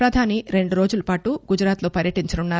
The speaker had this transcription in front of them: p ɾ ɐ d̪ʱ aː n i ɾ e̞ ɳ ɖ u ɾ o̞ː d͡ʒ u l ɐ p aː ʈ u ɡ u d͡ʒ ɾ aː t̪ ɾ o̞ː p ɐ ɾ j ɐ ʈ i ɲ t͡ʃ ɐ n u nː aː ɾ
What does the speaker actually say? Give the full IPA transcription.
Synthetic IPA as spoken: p ɾ ɐ d̪ʱ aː n i ɾ e̞ ɳ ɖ u ɾ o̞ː d͡ʒ u l ɐ p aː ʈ u ɡ u d͡ʒ ɾ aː t̪ l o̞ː p ɐ ɾ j ɐ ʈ i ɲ t͡ʃ ɐ n u nː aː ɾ